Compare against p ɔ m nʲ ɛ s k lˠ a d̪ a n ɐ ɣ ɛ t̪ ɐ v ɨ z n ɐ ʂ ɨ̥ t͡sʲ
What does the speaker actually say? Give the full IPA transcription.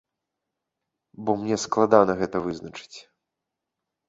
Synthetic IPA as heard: b ɔ m nʲ ɛ s k lˠ a d̪ a n ɐ ɣ ɛ t̪ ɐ v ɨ z n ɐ t͡ʂ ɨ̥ t͡sʲ